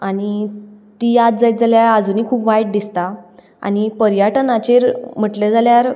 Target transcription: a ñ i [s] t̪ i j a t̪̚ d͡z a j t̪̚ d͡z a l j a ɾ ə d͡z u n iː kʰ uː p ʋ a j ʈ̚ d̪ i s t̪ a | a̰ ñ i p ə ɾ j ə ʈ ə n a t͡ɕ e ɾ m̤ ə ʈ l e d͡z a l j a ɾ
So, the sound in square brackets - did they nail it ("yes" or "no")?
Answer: no